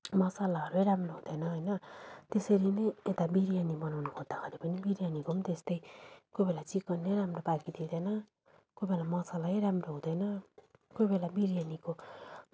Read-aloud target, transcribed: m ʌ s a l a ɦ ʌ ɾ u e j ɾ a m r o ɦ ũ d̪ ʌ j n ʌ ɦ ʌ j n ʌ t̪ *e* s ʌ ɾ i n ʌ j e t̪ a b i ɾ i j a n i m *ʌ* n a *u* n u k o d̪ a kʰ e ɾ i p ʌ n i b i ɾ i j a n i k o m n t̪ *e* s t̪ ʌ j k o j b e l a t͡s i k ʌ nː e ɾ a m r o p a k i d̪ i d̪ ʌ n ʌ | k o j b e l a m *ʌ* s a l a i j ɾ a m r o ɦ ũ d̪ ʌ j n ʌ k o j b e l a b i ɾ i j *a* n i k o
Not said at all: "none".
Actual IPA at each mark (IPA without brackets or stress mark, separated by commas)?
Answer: e, ʌ, w, e, ʌ, a